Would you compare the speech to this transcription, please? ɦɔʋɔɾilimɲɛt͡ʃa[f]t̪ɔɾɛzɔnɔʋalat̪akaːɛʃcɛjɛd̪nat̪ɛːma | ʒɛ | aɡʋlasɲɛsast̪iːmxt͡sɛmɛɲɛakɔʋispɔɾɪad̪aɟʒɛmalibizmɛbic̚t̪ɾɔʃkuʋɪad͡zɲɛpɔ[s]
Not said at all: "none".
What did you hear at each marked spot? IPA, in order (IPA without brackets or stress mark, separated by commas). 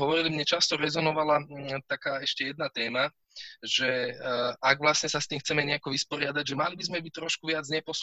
s, s